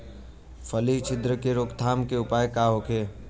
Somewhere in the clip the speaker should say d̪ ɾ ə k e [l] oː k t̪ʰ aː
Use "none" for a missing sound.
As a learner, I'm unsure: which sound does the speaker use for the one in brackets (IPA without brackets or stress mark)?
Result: ɾ